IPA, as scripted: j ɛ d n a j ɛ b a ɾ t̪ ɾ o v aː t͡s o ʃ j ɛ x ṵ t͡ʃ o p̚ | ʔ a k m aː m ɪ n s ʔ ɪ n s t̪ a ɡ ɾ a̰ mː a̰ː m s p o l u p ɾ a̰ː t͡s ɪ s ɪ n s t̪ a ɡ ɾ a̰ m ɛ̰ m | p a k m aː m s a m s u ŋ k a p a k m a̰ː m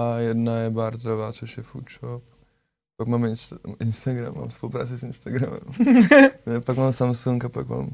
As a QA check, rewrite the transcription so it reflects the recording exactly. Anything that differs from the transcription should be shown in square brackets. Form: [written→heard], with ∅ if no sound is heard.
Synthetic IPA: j ɛ d n a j ɛ b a ɾ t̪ ɾ o v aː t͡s o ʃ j ɛ [x→f] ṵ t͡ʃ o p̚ | [ʔ→p] a k m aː m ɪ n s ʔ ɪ n s t̪ a ɡ ɾ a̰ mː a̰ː m s p o l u p ɾ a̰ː t͡s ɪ s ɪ n s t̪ a ɡ ɾ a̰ m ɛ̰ m | p a k m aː m s a m s u ŋ k a p a k m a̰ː m